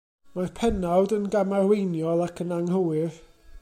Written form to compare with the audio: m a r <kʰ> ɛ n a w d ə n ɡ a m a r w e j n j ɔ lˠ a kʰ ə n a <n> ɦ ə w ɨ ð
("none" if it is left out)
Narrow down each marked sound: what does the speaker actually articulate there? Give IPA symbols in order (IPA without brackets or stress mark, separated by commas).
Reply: pʰ, ŋ